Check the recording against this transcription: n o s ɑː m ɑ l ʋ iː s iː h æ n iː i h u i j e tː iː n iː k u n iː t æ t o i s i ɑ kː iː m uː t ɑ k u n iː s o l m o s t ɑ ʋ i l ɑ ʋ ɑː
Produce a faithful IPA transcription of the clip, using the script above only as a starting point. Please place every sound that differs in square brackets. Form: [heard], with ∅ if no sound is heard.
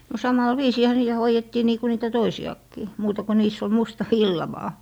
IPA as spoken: n o s [ɑ] m ɑ l ʋ iː s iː h æ n iː [æ] h [o] i j e tː iː n iː k u n iː t æ t o i s i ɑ kː iː m uː t ɑ k u n iː s o l m [u] s t ɑ ʋ i [lː] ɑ ʋ ɑː